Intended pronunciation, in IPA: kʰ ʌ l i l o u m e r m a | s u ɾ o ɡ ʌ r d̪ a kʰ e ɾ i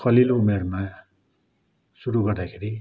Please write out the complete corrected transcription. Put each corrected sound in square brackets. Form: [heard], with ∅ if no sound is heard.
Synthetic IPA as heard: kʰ ʌ l i l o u m e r m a | s u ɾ [u] ɡ ʌ r d̪ a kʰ e ɾ i